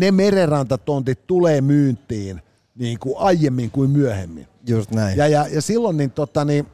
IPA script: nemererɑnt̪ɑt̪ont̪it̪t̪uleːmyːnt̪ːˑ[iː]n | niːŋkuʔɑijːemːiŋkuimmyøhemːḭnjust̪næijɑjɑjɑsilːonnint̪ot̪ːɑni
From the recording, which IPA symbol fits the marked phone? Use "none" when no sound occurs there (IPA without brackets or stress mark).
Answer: iː